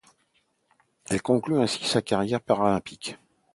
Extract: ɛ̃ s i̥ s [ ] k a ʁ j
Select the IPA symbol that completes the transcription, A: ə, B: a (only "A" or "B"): B